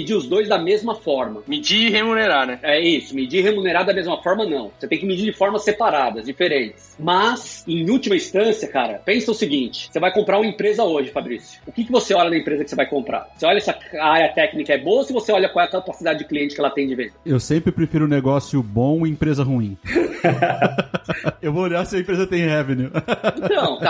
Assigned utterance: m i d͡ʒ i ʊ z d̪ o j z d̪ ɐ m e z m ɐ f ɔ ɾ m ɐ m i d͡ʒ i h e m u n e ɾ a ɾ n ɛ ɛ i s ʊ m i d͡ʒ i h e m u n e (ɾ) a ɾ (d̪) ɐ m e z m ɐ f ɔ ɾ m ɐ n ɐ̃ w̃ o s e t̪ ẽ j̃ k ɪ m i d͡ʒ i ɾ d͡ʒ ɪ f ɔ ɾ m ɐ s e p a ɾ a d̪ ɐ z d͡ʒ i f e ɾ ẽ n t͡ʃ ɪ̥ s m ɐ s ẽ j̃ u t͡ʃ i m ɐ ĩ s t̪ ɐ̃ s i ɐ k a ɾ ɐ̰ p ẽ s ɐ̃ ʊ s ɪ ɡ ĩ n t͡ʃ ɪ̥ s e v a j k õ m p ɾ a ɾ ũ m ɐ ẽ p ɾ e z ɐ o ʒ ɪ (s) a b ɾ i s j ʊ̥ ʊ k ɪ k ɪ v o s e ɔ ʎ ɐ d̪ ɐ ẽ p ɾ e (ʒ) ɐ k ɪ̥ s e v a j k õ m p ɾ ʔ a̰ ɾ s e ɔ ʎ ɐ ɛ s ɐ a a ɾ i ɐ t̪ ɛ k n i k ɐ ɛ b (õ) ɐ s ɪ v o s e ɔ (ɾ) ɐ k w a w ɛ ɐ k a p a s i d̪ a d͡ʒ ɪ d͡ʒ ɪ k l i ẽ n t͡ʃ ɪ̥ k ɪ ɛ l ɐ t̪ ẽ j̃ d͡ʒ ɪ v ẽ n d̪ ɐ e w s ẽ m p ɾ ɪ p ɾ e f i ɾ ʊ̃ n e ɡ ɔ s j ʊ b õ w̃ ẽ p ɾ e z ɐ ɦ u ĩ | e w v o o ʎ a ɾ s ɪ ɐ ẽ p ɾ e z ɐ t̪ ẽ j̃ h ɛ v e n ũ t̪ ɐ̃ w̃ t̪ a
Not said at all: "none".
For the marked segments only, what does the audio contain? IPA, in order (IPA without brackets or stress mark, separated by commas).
ɾ, d̪, f, z, o, ʎ